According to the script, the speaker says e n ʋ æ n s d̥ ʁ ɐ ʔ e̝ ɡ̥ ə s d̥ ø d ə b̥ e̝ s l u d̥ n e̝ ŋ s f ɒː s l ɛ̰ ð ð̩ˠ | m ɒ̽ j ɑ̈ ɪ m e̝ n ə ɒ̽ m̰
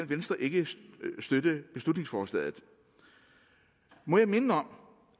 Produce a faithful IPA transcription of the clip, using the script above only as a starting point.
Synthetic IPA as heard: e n ʋ e n s d̥ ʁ ɐ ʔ e̝ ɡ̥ ə s d̥ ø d ə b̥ e̝ s l u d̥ n e̝ ŋ s f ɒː s l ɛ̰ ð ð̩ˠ | m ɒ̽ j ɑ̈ ɪ m e̝ n ə ɒ̽ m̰